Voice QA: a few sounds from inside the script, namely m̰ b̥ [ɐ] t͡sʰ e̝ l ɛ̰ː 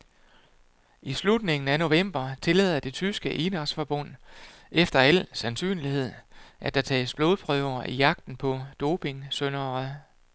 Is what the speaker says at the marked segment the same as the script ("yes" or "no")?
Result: yes